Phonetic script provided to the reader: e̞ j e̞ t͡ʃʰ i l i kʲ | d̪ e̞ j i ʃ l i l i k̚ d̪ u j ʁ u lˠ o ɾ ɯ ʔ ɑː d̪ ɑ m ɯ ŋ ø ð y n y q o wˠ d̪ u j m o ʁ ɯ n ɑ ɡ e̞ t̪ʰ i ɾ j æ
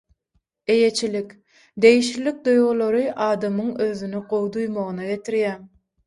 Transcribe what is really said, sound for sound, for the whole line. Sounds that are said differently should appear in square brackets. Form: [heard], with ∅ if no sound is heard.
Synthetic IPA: e̞ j e̞ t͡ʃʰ i l i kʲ | d̪ e̞ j i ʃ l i l i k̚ d̪ u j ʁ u lˠ o ɾ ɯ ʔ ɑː d̪ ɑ m ɯ ŋ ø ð y n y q o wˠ d̪ u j m o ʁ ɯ n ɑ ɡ e̞ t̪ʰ i ɾ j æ

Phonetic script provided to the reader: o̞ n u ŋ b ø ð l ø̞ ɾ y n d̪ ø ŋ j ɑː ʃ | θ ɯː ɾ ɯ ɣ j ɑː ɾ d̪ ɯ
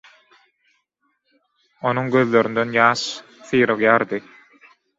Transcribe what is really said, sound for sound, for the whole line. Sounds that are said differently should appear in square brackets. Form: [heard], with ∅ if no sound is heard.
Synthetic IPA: o̞ n u ŋ [ɡ] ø ð l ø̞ ɾ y n d̪ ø [n] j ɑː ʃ | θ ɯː ɾ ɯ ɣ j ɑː ɾ d̪ ɯ

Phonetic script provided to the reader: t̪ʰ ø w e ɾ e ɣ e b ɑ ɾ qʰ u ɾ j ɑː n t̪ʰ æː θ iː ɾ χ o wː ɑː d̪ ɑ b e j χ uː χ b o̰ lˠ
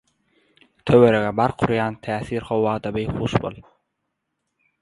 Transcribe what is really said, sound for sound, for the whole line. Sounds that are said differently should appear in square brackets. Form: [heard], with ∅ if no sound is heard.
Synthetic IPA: t̪ʰ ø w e ɾ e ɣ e b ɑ ɾ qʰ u ɾ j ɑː n t̪ʰ æː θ iː ɾ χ o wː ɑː d̪ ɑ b e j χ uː [ʃ] b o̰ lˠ

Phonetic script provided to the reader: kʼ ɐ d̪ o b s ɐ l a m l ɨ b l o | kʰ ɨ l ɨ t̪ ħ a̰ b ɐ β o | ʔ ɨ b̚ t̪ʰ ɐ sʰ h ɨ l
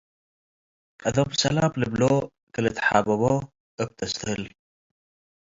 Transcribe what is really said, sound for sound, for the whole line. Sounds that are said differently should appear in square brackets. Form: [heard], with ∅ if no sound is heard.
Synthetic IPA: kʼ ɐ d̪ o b s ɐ l a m l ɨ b l o | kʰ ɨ l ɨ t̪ ħ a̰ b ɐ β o | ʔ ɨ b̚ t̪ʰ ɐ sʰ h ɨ l

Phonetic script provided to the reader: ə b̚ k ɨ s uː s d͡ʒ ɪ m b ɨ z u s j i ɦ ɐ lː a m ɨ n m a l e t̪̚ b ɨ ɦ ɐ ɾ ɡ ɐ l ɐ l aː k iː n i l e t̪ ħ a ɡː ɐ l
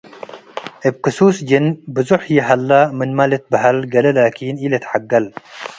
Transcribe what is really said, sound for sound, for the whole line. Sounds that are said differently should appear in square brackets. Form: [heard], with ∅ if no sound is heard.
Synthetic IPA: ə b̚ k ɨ s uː s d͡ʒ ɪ [n] b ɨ z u [ħ] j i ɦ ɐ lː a m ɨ n m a l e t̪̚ b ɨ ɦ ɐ [l] ɡ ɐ l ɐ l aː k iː n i l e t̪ ħ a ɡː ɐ l

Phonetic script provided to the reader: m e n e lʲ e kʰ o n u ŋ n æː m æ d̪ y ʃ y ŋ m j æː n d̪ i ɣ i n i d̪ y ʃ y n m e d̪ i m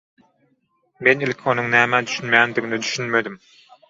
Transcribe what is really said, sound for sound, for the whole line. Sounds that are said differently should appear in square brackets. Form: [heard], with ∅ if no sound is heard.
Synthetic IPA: m e n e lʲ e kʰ o n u ŋ n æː m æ d̪ y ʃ y [n] m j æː n d̪ i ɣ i n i d̪ y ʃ y n m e d̪ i m

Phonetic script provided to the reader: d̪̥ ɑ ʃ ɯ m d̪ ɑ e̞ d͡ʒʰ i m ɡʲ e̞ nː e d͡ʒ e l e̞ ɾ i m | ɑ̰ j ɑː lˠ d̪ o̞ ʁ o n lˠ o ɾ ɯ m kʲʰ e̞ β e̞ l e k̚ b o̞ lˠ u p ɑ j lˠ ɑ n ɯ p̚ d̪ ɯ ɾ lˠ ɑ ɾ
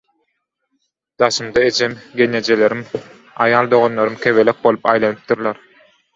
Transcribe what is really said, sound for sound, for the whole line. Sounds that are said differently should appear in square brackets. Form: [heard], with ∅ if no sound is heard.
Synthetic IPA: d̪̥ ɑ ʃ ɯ m d̪ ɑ e̞ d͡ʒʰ [e] m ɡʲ e̞ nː e d͡ʒ e l e̞ ɾ i m | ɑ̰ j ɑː lˠ d̪ o̞ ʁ o n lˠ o ɾ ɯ m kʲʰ e̞ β e̞ l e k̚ b o̞ lˠ u p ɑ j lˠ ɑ n ɯ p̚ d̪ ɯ ɾ lˠ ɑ ɾ

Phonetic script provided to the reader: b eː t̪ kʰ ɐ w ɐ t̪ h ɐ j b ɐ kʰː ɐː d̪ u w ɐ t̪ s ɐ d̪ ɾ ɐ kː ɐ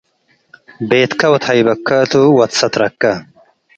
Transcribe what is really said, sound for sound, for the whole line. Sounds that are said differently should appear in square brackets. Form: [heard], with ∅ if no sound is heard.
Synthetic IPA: b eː t̪ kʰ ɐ w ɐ t̪ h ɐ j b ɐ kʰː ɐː [t̪] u w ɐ t̪ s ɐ [t̪] ɾ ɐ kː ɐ

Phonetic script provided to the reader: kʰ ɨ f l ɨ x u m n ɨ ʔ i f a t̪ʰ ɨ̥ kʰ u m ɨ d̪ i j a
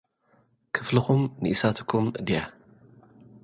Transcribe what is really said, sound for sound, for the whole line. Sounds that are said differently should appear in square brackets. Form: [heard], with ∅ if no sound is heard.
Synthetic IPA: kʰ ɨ f l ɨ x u m n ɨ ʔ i [s] a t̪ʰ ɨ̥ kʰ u m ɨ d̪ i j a

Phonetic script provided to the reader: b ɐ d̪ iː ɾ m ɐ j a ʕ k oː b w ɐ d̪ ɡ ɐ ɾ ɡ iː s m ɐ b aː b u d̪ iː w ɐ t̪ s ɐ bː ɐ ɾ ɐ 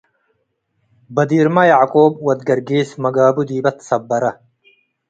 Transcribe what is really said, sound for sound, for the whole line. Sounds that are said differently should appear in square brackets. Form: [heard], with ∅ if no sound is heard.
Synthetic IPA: b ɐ d̪ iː ɾ m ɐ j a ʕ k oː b w ɐ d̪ ɡ ɐ ɾ ɡ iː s m ɐ [ɡ] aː b u d̪ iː [b] ɐ t̪ s ɐ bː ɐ ɾ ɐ

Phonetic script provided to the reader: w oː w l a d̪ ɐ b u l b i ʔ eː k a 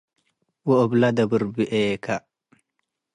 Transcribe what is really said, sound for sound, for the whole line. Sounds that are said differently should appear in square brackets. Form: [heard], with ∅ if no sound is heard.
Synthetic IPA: w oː [b] l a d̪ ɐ b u [ɾ] b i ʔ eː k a

